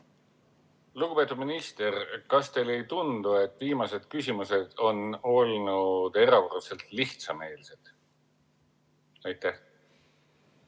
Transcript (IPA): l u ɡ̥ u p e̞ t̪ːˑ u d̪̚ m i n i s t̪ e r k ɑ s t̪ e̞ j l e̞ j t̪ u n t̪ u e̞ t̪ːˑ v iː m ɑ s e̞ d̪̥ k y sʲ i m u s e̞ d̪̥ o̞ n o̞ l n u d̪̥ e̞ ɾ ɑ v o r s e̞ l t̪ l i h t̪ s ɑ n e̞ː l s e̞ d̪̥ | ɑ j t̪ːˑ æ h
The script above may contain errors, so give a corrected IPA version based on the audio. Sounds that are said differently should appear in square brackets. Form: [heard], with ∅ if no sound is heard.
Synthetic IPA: l u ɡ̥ u p e̞ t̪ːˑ u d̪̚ m i n i s t̪ e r k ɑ s t̪ e̞ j l e̞ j t̪ u n [d̪] u e̞ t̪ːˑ v iː m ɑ s e̞ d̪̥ k y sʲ i m u s e̞ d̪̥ o̞ n o̞ l n u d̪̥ e̞ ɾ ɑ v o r s e̞ l t̪ l i h t̪ s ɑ [m] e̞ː l s e̞ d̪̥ | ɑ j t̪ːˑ æ h